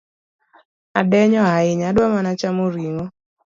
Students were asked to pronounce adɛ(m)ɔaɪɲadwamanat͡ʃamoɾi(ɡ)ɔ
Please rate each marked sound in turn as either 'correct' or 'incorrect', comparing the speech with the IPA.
incorrect: ɲ, incorrect: ŋ

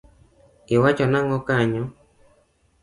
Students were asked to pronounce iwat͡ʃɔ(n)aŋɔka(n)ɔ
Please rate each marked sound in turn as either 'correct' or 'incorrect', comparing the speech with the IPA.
correct, incorrect: ɲ

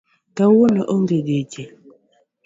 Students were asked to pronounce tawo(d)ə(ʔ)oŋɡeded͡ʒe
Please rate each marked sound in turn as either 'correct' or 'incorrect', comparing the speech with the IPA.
incorrect: n, correct

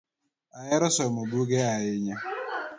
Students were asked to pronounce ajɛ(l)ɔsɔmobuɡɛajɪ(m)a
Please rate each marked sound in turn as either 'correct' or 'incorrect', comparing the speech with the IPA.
incorrect: ɾ, incorrect: ɲ

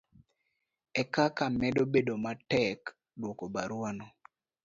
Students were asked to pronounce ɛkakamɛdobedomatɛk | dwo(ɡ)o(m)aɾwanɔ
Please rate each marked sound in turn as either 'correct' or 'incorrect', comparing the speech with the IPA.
incorrect: k, incorrect: b

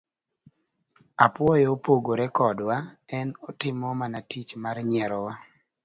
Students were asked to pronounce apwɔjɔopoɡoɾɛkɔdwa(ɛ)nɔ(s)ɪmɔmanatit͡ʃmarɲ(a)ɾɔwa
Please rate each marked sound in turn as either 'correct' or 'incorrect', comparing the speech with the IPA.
correct, incorrect: t, incorrect: ɛ

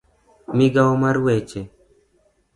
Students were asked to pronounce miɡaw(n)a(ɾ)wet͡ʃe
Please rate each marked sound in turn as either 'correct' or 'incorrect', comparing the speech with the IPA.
incorrect: m, correct

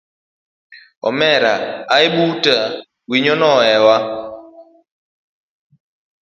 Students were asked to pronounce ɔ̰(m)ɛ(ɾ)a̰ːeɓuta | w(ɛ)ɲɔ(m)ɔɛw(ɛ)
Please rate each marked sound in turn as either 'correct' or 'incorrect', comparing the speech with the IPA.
correct, correct, incorrect: i, incorrect: n, incorrect: a

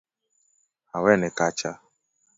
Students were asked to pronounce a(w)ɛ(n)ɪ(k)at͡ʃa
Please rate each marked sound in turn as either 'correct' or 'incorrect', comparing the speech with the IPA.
correct, correct, correct

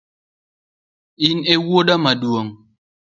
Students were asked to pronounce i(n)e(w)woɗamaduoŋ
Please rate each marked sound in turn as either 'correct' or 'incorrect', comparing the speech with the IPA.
correct, correct

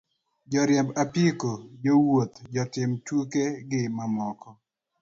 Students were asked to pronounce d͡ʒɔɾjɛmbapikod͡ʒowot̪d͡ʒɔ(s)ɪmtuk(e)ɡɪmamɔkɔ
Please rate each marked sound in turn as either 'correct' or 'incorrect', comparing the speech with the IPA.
incorrect: t, correct

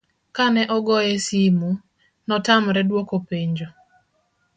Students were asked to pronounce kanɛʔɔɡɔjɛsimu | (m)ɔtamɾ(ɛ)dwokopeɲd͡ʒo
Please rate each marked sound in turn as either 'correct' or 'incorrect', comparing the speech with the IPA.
incorrect: n, correct

